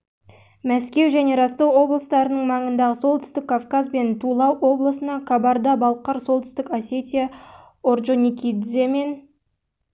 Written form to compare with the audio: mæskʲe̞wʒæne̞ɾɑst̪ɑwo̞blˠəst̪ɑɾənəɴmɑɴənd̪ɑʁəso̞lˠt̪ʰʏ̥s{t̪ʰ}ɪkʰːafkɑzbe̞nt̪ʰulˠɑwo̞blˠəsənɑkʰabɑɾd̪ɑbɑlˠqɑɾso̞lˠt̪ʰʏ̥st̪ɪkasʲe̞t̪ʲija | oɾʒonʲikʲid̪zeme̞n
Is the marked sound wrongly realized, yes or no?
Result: yes